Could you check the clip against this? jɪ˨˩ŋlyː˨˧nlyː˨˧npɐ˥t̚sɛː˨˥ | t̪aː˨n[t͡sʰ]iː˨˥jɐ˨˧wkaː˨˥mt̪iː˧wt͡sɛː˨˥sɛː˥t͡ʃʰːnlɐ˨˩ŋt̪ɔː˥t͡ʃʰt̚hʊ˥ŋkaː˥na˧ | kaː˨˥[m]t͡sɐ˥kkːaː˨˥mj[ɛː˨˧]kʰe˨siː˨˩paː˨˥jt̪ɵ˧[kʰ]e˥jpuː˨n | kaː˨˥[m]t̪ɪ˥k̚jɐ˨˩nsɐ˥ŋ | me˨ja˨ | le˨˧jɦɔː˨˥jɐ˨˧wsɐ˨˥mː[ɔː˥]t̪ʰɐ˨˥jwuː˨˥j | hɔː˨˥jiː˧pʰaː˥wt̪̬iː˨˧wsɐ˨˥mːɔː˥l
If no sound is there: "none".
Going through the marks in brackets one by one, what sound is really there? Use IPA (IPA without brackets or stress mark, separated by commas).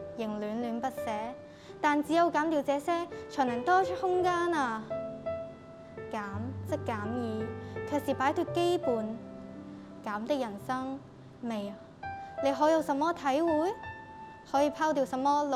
t͡s, m, iː˨˧, k, m, ɔː˥